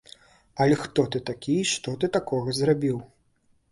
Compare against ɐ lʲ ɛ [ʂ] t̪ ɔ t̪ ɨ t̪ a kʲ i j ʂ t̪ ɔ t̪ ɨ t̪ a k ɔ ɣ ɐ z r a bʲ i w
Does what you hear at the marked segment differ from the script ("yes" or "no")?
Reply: yes